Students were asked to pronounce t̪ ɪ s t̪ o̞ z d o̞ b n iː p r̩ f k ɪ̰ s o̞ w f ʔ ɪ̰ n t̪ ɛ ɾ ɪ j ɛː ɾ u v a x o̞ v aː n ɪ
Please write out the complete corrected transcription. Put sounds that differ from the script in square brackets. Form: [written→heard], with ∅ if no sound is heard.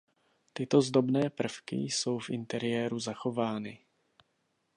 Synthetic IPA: t̪ ɪ [s→∅] t̪ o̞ z d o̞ b n [iː→ɛː] p r̩ f k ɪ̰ s o̞ w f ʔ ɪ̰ n t̪ ɛ ɾ ɪ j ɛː ɾ u [v→z] a x o̞ v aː n ɪ